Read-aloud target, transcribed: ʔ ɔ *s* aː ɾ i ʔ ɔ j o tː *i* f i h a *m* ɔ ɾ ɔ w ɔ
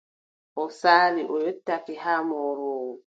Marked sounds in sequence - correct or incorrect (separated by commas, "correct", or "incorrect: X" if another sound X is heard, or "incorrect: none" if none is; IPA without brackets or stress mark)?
correct, incorrect: a, correct